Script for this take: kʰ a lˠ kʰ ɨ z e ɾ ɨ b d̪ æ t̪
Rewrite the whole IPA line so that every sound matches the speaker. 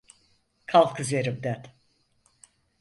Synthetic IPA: kʰ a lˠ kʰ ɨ z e ɾ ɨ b d̪ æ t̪